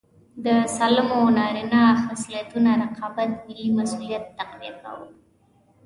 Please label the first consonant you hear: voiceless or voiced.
voiced